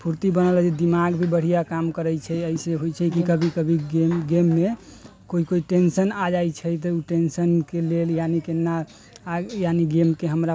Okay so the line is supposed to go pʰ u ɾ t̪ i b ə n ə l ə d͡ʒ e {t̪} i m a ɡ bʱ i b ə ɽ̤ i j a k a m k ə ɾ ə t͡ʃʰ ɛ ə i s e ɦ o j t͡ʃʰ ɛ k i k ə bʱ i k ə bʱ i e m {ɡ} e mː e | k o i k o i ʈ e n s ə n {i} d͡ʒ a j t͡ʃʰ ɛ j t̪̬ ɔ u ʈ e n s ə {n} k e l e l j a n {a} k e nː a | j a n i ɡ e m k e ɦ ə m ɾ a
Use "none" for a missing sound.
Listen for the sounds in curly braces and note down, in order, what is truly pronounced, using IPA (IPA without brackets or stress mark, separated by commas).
d̪, ɡ, a, n, i